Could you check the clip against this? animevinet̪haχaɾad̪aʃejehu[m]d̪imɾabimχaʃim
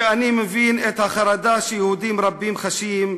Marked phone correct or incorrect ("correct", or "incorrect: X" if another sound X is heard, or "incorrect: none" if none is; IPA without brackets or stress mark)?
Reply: incorrect: none